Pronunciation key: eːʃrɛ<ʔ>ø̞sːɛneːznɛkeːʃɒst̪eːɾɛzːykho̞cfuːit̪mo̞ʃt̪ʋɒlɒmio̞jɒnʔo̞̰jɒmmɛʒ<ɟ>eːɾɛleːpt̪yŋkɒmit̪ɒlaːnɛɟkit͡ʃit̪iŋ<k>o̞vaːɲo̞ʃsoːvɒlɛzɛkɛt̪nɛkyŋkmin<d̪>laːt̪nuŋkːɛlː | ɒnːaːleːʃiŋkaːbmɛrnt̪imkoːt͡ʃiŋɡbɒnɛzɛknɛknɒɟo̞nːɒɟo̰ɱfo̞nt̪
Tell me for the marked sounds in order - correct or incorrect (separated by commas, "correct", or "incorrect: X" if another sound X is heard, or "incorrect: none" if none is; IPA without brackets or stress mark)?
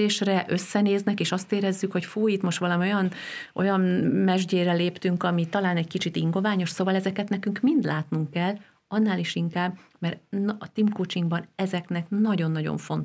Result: correct, correct, incorrect: ɡ, correct